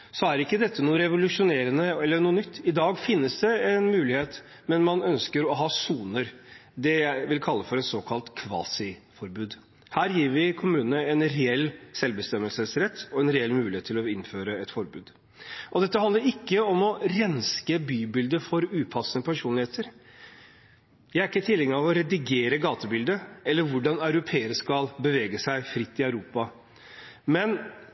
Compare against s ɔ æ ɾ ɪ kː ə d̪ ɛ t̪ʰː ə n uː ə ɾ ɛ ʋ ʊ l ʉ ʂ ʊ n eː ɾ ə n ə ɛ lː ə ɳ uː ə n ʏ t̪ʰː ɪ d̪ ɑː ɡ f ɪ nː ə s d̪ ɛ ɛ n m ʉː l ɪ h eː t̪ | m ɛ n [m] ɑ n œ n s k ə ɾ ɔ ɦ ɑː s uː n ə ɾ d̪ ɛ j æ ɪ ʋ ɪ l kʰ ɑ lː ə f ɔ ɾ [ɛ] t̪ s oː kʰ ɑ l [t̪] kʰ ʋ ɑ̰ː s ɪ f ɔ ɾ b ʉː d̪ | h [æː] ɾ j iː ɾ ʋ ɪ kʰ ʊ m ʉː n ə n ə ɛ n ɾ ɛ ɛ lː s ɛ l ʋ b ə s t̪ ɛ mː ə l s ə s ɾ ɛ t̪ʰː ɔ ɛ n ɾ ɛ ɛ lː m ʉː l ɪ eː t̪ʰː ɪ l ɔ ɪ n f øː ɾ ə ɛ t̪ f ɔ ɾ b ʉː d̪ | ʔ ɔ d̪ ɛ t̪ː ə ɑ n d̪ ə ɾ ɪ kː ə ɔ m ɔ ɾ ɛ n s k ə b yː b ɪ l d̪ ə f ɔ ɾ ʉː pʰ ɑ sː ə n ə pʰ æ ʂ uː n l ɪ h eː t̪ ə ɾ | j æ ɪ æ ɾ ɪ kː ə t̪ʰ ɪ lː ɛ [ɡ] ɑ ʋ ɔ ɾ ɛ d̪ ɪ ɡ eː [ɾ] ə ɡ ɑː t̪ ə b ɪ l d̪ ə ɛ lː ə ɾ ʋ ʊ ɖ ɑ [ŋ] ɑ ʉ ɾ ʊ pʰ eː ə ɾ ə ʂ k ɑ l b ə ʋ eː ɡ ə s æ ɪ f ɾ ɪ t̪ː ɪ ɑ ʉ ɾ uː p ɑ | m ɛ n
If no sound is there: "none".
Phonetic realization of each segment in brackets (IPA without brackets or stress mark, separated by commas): m, ɛ, t̪, æː, ŋ, ɾ, n